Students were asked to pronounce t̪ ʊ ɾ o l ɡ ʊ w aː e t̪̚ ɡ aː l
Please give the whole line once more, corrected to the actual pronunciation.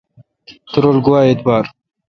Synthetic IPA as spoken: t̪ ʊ ɾ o l ɡ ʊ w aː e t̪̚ b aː ɾ